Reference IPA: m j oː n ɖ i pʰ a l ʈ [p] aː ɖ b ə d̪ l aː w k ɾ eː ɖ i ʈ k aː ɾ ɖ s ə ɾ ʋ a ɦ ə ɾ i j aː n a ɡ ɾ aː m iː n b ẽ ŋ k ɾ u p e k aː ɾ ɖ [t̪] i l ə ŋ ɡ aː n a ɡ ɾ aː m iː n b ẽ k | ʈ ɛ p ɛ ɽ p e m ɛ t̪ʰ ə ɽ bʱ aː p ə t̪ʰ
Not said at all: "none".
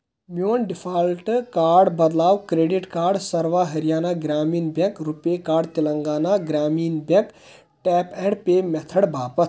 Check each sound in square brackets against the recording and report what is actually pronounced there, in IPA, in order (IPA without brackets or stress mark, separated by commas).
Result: k, t̪